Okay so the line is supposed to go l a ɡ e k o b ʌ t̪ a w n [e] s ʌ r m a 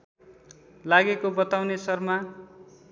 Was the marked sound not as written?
no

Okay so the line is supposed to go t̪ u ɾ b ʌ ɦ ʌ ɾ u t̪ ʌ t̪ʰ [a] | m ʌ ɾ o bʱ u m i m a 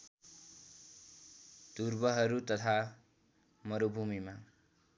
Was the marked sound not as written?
no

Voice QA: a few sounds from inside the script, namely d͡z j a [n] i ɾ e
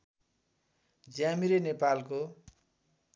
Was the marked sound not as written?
yes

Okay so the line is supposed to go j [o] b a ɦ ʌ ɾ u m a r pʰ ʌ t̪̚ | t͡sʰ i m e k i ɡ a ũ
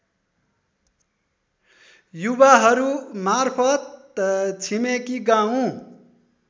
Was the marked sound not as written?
yes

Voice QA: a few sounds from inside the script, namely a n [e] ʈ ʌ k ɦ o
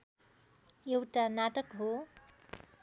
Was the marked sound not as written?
yes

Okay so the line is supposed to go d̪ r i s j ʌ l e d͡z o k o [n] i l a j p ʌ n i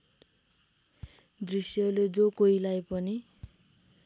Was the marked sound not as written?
yes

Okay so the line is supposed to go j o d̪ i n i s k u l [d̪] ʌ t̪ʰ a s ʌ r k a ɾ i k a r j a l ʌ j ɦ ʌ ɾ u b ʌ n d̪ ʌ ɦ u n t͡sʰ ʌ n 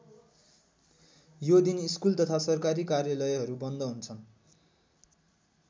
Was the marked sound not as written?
yes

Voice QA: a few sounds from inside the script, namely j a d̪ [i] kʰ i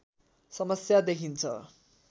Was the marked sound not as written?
yes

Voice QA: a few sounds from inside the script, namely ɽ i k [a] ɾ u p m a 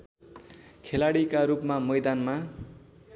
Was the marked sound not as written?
no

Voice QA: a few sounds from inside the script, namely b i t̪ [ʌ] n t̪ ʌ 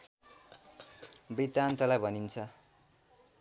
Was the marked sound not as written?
yes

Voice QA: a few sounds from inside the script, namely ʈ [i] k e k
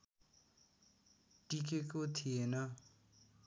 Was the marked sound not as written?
no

